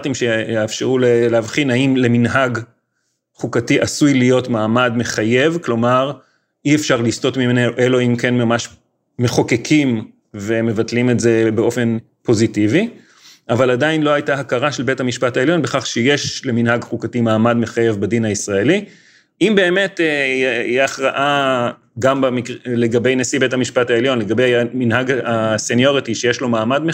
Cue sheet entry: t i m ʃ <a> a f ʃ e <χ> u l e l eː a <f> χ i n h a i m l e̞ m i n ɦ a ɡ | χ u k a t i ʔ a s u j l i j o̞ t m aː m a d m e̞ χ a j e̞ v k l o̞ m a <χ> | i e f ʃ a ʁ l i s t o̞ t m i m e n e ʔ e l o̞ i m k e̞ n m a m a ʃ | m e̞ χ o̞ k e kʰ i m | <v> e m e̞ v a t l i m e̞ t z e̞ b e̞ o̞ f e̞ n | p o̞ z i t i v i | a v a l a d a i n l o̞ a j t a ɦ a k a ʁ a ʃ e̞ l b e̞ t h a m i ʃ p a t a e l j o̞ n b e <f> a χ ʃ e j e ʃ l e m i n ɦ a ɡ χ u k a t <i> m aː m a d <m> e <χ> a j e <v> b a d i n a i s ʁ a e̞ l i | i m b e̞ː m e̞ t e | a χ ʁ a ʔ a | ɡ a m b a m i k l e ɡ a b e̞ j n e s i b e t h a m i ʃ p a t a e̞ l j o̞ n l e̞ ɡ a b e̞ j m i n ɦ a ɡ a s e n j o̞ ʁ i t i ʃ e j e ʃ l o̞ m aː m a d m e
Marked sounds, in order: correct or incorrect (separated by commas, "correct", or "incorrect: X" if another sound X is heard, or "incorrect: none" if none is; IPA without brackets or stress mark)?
incorrect: e, incorrect: ʁ, incorrect: v, incorrect: ʁ, correct, incorrect: χ, correct, correct, correct, correct